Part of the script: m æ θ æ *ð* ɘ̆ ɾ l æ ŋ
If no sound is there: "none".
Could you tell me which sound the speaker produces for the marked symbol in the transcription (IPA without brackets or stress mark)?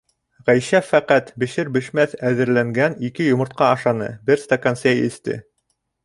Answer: ð